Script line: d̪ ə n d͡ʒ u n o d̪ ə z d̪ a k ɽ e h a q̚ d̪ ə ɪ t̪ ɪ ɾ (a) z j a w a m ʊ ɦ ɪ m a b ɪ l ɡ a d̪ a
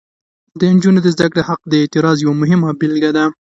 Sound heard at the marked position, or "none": ɑ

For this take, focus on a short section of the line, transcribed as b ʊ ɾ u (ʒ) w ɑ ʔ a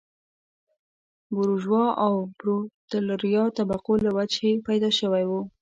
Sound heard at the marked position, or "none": ʒ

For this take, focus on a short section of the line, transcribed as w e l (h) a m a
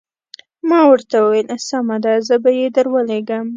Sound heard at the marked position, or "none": s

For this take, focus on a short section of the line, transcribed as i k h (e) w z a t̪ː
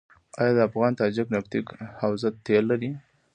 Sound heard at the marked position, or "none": a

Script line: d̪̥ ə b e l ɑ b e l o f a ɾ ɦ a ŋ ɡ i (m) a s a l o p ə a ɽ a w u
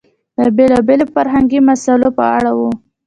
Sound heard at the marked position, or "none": m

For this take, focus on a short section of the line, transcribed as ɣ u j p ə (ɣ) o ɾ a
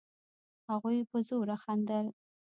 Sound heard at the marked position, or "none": z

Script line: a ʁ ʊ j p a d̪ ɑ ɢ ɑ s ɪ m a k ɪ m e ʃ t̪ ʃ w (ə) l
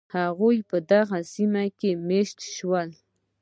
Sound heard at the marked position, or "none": a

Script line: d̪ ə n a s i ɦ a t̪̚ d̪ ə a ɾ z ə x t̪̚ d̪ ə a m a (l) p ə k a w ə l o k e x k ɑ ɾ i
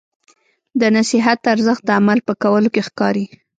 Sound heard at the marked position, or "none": l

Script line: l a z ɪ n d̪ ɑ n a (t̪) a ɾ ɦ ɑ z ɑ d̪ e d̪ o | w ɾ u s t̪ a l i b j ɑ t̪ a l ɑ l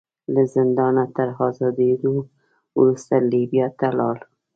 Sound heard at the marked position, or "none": t̪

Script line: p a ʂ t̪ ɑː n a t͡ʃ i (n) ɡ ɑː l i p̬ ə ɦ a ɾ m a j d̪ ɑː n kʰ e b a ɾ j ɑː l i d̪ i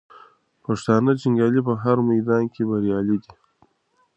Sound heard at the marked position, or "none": ŋ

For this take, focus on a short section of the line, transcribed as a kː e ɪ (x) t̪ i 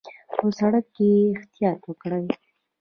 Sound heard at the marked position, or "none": x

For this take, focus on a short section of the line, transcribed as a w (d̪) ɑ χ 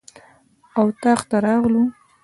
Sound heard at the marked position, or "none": t̪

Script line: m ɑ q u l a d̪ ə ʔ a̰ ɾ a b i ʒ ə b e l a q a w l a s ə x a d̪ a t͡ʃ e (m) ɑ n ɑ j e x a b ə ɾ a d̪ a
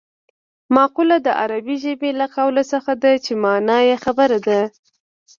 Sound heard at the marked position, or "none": m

